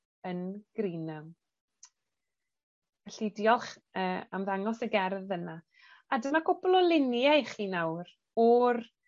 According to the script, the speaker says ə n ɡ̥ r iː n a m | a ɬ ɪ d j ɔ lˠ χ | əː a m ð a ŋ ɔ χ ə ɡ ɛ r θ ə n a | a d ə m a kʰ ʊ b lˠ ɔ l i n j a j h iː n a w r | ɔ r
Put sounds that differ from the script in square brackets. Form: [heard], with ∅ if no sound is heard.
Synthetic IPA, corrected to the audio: ə n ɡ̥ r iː n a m | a ɬ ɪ d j ɔ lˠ χ | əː a m ð a ŋ ɔ [s] ə ɡ ɛ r [ð] ə n a | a d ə m a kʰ ʊ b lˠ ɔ l [ɪ] n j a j [χ] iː n a w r | ɔ r